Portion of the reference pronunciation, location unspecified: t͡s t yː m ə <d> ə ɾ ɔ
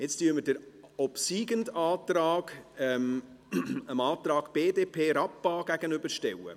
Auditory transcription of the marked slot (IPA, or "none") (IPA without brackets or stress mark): d